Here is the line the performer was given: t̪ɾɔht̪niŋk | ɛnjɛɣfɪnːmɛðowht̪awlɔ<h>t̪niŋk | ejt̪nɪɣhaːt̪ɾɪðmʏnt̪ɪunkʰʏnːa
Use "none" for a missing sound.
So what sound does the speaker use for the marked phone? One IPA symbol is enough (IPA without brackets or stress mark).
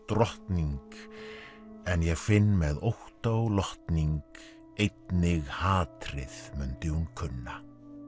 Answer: h